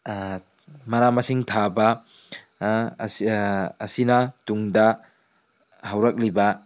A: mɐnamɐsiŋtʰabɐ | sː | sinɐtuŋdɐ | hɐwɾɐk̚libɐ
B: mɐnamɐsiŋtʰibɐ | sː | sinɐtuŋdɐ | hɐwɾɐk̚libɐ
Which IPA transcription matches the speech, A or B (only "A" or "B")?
A